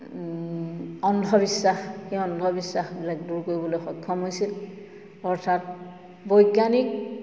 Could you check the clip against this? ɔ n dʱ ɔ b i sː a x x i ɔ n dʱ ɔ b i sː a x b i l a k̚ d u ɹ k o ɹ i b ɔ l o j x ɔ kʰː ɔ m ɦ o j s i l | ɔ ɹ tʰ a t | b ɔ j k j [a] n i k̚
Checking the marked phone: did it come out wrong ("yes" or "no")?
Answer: no